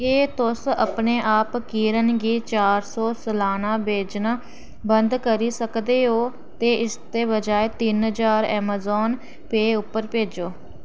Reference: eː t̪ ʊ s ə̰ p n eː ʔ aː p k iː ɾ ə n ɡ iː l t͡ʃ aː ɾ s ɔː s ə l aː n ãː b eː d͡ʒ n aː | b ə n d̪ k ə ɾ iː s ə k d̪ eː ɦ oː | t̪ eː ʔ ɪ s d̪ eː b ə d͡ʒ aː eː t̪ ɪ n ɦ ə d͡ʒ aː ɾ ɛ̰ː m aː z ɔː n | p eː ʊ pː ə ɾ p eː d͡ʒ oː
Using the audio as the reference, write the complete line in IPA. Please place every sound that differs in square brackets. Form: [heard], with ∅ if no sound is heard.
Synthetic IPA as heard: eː t̪ ʊ s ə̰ p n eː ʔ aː p k iː ɾ ə n ɡ iː [∅] t͡ʃ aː ɾ s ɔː s ə l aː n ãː b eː d͡ʒ n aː | b ə n d̪ k ə ɾ iː s ə k d̪ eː ɦ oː | t̪ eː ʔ ɪ s [t̪] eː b ə d͡ʒ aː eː t̪ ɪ n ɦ ə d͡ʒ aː ɾ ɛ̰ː m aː z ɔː n | p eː ʊ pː ə ɾ p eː d͡ʒ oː